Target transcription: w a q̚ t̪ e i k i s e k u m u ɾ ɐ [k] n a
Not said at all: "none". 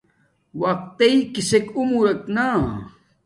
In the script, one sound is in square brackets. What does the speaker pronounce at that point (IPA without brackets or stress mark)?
k